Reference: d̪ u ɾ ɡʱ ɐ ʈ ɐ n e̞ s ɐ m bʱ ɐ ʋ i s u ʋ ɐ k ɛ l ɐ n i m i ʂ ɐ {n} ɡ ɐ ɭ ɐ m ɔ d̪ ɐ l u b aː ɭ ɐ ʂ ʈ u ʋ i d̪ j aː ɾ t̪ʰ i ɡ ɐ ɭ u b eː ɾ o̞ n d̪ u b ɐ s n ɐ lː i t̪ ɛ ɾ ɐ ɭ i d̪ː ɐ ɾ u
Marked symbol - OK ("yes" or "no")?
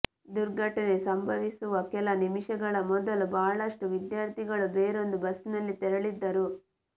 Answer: no